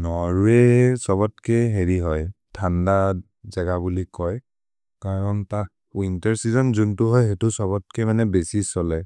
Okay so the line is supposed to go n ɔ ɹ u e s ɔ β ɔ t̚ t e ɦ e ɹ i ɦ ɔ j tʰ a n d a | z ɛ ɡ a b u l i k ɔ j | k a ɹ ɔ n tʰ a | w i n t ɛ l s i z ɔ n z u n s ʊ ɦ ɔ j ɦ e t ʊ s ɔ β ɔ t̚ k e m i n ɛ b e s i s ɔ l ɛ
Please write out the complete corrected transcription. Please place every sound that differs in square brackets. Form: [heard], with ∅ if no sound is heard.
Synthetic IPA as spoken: n ɔ ɹ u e s ɔ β ɔ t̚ [k] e ɦ e ɹ i ɦ ɔ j tʰ a n d a | z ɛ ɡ a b u l i k ɔ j | k a ɹ ɔ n [t] a | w i n t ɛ [ɹ] s i z ɔ n z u n [t] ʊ ɦ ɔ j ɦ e t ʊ s ɔ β ɔ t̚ k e m [a] n ɛ b e s i s ɔ l ɛ